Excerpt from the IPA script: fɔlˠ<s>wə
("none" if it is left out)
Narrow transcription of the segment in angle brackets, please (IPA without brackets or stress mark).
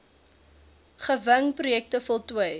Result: t